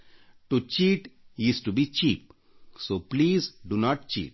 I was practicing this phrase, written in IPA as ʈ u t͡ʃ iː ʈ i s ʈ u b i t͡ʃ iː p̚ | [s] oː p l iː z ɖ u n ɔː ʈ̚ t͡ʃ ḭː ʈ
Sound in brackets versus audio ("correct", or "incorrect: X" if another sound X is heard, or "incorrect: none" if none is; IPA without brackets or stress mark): correct